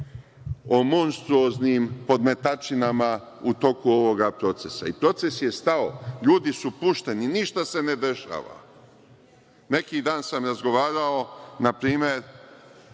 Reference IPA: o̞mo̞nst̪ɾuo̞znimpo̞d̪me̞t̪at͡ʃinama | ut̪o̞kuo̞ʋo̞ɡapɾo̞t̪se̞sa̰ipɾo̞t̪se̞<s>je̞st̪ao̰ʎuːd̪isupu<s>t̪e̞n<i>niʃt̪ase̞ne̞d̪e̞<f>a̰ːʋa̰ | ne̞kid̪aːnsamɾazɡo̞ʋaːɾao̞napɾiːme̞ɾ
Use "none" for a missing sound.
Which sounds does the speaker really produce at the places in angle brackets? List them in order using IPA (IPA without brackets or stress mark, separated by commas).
s, ʃ, i, ʃ